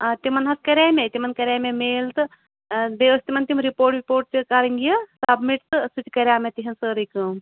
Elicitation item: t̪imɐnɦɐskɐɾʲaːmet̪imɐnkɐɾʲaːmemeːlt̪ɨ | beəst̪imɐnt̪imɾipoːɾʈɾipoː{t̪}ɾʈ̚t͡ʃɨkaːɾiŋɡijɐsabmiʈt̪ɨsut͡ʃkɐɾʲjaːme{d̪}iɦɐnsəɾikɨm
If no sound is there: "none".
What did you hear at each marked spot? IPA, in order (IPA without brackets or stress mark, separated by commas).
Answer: none, t̪